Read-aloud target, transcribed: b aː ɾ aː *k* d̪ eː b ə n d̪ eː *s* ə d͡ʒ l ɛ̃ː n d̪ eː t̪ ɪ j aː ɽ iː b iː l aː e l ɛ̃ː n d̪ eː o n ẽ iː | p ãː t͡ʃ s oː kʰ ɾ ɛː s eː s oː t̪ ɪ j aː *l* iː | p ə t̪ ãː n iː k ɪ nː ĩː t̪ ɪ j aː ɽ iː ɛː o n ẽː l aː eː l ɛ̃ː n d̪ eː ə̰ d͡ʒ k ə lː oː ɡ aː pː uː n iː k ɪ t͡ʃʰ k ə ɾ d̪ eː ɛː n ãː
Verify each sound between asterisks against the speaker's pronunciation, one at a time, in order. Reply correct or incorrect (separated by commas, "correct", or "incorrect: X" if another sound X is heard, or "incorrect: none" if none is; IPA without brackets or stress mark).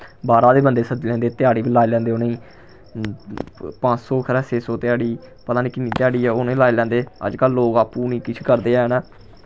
incorrect: none, correct, incorrect: ɽ